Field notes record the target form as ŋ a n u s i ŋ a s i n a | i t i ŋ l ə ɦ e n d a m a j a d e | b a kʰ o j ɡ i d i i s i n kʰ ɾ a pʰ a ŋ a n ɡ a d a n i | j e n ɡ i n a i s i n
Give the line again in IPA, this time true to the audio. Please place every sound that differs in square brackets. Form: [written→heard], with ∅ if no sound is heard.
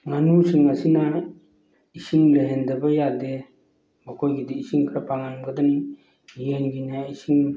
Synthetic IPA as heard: ŋ a n u s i ŋ a s i n a | i [t→s] i ŋ l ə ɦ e n d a [m→b] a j a d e | b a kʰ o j ɡ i d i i s i [n→ŋ] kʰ ɾ a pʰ a ŋ a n ɡ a d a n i | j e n ɡ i n a i s i [n→ŋ]